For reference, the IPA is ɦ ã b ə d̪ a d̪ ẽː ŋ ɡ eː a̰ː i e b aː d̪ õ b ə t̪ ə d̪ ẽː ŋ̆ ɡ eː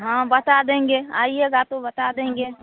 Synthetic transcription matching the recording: ɦ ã b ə t̪ a d̪ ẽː ŋ ɡ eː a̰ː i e ɡ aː t̪ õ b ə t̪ a d̪ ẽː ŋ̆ ɡ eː